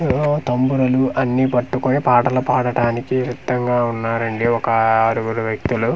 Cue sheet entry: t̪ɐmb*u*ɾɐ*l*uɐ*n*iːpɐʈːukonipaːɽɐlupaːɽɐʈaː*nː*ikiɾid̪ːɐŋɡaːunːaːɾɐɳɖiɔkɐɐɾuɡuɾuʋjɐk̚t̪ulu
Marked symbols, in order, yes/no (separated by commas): yes, yes, no, no